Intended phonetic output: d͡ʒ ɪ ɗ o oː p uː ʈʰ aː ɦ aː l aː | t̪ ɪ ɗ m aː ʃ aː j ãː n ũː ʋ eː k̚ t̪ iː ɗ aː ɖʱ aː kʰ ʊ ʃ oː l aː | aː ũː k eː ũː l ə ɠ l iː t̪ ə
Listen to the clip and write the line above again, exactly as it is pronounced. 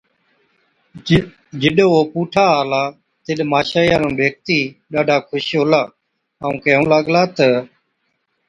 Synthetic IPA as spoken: d͡ʒ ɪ ɗ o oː p uː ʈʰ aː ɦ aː l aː | t̪ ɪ ɗ m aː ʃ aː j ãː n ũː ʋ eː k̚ t̪ iː ɗ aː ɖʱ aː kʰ ʊ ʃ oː l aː | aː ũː k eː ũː l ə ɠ l aː t̪ ə